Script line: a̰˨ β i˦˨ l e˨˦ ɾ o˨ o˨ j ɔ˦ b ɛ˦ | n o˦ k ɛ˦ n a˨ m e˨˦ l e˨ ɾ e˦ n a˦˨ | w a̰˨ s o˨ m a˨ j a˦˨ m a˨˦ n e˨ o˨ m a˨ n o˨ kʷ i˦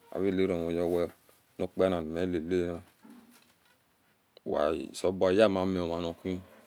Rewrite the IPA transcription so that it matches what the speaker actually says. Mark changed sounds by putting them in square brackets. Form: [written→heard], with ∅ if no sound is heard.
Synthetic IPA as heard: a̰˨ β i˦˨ l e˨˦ ɾ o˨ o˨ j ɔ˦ [b→w] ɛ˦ | n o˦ [k→k͡p] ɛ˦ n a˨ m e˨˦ l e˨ [ɾ→l] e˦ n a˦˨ | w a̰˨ s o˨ [m→b] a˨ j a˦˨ m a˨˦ [n→m] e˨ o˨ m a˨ n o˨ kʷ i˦